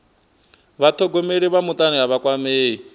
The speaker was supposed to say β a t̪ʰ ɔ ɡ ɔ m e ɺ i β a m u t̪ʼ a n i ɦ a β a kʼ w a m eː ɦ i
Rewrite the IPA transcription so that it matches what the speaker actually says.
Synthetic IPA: β a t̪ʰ ɔ ɡ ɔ m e ɺ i β a m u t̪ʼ a n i ɦ a β a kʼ w a m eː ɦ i